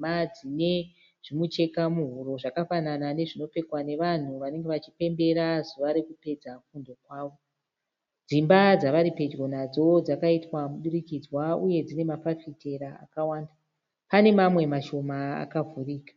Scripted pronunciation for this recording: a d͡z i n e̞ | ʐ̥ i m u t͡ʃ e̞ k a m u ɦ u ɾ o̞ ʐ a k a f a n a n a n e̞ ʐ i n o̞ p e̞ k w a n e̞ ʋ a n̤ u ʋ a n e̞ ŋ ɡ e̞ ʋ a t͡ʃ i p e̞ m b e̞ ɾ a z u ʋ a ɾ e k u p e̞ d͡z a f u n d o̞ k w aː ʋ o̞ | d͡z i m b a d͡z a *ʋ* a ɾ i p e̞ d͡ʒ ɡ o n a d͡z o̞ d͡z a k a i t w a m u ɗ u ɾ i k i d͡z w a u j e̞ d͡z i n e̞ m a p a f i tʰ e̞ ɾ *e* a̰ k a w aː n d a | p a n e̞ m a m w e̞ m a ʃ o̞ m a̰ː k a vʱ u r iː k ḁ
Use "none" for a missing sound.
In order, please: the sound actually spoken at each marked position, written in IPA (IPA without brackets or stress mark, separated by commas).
ʋ, a